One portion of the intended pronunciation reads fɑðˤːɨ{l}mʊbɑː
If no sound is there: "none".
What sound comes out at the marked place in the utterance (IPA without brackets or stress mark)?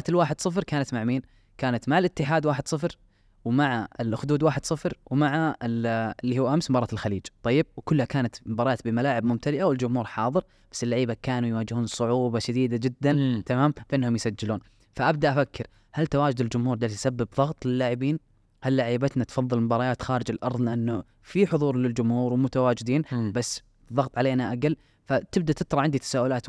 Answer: l